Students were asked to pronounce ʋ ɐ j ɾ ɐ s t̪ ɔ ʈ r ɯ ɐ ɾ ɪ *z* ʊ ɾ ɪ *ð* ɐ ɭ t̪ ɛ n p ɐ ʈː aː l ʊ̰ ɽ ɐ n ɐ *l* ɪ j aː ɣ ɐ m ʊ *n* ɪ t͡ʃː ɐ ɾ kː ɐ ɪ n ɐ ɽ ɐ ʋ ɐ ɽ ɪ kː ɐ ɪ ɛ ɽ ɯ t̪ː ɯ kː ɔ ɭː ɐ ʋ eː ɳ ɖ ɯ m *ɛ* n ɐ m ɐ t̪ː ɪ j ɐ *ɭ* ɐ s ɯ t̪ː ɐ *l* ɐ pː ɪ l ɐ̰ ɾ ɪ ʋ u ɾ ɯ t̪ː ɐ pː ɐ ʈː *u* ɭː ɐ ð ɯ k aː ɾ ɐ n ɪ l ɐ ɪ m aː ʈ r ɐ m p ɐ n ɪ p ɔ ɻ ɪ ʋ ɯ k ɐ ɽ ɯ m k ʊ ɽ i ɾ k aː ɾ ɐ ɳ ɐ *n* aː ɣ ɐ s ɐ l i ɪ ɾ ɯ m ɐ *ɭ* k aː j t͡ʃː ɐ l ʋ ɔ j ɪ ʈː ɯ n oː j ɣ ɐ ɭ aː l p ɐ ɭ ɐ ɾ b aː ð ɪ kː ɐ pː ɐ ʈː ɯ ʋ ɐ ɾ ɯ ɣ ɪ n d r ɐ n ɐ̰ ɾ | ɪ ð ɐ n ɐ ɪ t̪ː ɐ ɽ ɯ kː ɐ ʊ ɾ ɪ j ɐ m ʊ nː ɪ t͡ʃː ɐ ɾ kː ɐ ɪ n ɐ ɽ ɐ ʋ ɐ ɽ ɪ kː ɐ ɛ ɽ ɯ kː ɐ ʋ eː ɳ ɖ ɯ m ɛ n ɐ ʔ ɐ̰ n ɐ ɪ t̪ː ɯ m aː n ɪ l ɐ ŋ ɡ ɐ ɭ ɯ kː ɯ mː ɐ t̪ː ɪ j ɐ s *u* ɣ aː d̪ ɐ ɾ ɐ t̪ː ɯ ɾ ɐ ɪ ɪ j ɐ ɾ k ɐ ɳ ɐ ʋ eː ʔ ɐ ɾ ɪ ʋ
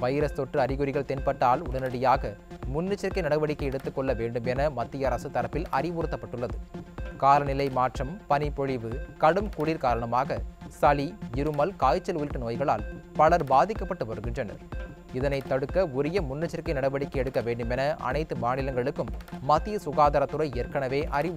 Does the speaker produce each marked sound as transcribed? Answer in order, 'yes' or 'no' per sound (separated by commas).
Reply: no, no, no, no, yes, no, no, no, no, no, no